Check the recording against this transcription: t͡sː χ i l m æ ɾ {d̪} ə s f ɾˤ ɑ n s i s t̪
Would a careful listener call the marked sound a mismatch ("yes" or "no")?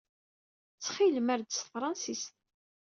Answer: no